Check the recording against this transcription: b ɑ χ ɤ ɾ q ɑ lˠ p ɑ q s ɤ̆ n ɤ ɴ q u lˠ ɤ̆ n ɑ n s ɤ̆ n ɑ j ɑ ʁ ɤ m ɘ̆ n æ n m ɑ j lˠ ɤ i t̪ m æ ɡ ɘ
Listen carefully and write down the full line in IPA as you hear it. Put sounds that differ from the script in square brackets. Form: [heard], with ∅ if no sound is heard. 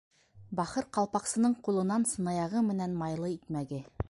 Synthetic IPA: b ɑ χ ɤ ɾ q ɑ lˠ p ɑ q s ɤ̆ n ɤ ɴ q u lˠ ɤ̆ n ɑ n s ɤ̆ n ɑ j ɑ ʁ ɤ m ɘ̆ n æ n m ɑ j lˠ ɤ i t̪ m æ ɡ ɘ